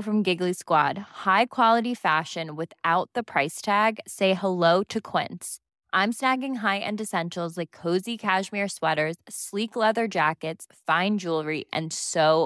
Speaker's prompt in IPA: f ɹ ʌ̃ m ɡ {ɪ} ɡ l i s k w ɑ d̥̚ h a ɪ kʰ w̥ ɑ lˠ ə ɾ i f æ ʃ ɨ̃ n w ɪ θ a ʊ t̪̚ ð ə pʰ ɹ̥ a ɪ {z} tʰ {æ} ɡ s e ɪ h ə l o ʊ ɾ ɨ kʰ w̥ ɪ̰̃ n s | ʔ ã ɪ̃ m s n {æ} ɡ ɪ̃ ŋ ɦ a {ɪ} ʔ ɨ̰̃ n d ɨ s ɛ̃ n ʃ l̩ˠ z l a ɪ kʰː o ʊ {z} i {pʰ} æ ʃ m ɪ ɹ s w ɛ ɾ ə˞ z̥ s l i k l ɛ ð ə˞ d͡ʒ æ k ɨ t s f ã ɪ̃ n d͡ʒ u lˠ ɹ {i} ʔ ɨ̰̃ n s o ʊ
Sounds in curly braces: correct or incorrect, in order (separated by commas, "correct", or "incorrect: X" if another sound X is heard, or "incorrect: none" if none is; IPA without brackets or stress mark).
correct, incorrect: s, correct, correct, correct, correct, incorrect: kʰ, correct